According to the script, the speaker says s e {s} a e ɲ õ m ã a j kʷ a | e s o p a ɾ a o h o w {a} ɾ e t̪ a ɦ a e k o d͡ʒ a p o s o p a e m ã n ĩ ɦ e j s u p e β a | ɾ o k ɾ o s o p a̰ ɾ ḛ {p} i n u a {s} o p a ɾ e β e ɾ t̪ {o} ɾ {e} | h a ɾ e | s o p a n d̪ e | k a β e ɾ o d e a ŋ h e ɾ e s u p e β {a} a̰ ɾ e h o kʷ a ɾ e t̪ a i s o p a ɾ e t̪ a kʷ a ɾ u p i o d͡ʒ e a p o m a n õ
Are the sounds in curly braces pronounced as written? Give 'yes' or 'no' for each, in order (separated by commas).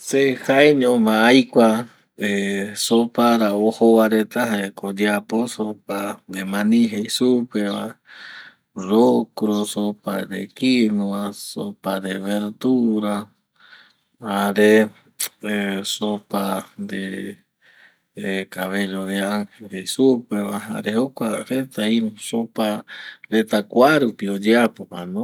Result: no, yes, no, yes, no, no, yes